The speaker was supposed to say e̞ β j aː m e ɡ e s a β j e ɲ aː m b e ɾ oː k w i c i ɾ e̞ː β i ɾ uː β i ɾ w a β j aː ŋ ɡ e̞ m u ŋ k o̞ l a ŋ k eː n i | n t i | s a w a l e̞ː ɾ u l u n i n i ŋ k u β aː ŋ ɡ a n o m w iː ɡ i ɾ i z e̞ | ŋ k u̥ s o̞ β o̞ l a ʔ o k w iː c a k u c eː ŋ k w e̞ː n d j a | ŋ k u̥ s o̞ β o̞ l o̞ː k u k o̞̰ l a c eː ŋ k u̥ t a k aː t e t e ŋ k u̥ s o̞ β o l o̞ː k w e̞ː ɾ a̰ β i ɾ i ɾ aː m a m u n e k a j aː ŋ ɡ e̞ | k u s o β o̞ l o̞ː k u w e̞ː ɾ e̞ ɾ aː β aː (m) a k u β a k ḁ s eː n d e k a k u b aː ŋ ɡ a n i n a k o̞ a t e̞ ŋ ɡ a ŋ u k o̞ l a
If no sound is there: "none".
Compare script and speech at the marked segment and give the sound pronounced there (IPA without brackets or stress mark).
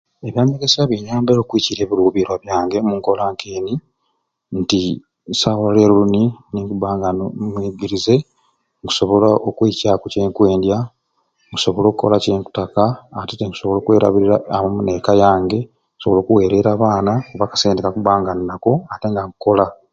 n